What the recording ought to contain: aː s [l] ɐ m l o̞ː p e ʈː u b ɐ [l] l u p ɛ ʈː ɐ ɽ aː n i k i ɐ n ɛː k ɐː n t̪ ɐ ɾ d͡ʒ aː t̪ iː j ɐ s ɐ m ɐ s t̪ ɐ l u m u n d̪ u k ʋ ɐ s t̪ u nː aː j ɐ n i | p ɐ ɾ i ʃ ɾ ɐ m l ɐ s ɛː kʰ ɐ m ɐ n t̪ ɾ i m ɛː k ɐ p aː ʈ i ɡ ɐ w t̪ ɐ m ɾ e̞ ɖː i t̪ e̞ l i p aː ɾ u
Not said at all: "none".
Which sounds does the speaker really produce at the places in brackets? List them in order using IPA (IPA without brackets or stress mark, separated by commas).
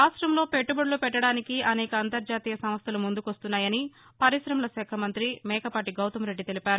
ɾ, ɽ